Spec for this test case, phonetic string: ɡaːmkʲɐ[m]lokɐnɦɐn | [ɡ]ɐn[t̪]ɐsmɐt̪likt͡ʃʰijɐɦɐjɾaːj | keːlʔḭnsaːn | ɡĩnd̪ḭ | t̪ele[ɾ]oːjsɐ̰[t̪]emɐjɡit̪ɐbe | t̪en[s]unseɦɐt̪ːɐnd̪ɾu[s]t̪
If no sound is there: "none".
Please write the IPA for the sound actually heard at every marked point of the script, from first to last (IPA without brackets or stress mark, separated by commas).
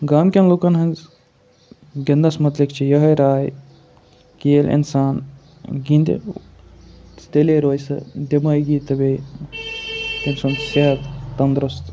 n, ɡ, d̪, ɾ, d̪, s, s